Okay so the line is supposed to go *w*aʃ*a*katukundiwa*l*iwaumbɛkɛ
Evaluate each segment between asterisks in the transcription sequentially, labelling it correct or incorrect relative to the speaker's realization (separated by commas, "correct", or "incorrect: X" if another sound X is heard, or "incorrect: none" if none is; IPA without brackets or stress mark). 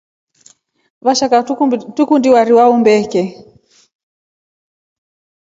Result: incorrect: β, correct, incorrect: ɾ